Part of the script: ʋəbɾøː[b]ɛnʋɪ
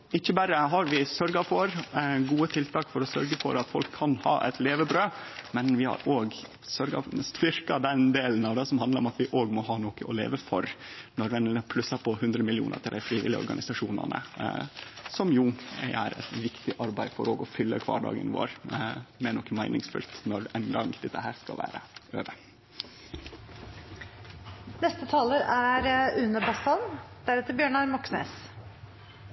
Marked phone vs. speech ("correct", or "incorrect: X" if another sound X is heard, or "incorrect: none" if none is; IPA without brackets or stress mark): incorrect: m